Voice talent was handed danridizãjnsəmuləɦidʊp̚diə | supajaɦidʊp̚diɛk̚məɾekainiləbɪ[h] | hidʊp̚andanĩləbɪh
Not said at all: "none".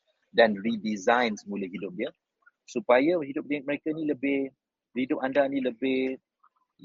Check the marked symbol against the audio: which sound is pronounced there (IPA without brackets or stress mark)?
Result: h